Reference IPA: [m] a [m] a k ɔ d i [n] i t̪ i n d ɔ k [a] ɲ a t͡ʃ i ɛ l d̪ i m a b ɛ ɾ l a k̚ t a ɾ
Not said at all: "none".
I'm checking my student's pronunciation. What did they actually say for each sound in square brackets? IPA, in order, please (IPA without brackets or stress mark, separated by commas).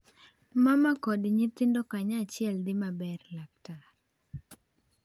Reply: m, m, ɲ, a